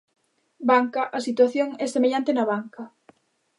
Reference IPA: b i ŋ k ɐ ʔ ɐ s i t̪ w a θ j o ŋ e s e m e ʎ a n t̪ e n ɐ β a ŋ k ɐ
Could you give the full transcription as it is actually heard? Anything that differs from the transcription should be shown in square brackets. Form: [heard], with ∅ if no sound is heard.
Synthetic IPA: b [a] ŋ k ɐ ʔ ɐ s i t̪ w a θ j o ŋ [ɛ] s e m e ʎ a n t̪ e n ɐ β a ŋ k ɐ